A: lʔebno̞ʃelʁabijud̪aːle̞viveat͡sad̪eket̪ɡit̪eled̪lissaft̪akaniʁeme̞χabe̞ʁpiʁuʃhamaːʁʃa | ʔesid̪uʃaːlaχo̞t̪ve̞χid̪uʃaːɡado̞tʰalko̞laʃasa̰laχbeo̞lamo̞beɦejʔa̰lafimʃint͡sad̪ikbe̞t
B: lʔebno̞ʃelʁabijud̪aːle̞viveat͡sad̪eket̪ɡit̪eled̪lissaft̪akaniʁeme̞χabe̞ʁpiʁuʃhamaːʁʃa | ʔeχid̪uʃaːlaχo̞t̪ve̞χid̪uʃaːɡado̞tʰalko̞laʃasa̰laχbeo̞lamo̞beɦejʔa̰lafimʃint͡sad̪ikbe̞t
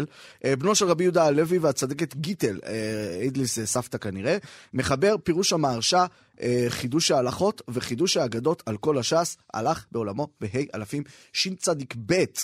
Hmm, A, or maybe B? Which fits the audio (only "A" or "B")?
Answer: B